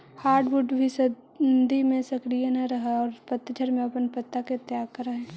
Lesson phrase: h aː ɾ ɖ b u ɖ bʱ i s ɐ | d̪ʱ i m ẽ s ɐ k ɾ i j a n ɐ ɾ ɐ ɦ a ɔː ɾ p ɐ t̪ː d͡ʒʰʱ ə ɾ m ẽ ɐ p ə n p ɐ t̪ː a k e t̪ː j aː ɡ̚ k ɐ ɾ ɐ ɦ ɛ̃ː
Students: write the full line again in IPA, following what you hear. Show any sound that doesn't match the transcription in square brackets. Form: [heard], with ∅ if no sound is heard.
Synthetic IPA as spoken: h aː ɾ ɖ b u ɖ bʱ i s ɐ | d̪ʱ i m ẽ s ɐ k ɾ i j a n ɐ ɾ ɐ ɦ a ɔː ɾ p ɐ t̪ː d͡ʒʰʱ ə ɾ m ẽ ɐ p ə n p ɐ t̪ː a k e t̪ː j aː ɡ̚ k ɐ ɾ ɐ ɦ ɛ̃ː